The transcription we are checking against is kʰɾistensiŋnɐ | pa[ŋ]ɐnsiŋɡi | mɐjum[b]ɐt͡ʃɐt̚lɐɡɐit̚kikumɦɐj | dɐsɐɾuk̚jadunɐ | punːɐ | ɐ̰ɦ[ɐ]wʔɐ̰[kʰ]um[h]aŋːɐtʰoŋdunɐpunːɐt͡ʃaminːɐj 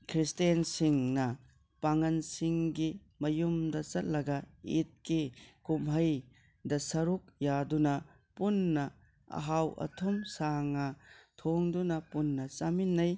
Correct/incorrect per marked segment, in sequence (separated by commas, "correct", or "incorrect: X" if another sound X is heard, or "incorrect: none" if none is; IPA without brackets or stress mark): correct, incorrect: d, incorrect: a, incorrect: tʰ, incorrect: s